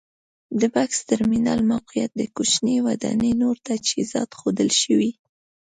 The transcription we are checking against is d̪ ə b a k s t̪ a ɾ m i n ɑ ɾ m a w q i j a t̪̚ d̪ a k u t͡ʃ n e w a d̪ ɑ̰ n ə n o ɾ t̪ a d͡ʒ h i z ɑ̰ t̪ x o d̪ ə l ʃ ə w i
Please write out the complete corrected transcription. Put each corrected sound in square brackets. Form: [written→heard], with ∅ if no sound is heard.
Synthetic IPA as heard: d̪ ə b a k s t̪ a ɾ m i n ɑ [ɾ→l] m a w q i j a t̪̚ d̪ [a→ə] k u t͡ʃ n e w a d̪ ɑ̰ n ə n o ɾ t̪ a d͡ʒ h i z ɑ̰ t̪ x o d̪ ə l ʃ ə w i